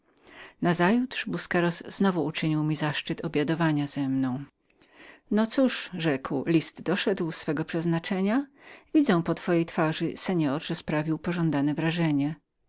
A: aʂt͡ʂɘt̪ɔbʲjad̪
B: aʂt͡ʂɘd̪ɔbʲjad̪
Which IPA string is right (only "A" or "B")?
A